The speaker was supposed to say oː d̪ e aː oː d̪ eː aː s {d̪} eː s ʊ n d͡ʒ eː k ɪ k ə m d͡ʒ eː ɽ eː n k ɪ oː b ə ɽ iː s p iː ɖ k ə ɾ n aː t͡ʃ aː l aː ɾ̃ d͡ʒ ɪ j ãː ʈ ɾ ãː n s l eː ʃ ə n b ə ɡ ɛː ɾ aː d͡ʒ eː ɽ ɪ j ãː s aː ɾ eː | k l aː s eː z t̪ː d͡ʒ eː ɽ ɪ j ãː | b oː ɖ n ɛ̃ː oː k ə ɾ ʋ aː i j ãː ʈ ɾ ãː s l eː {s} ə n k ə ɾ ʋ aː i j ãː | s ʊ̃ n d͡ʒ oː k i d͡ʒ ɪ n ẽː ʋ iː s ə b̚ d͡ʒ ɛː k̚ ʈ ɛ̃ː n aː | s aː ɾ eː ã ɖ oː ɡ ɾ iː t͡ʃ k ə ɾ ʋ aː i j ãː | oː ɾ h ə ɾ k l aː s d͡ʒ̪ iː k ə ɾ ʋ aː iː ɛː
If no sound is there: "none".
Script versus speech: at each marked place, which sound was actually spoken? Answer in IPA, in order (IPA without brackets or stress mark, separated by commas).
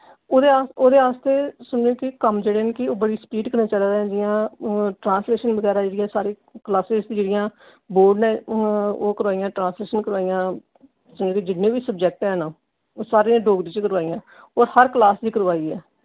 t̪, ʃ